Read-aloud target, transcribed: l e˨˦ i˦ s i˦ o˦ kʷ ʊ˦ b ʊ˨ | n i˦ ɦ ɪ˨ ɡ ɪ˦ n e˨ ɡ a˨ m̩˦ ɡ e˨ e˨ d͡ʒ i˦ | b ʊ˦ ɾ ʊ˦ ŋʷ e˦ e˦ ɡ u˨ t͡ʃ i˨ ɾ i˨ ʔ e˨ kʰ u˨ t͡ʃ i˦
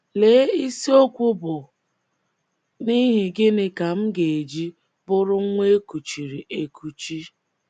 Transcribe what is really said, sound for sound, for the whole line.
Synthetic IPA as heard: l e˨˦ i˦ s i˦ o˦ kʷ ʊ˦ b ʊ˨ | n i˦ ɦ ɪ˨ ɡ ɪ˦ n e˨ k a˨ m̩˦ ɡ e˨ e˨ d͡ʒ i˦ | b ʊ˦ ɾ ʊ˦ ŋʷ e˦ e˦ k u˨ t͡ʃ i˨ ɾ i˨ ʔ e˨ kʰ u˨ t͡ʃ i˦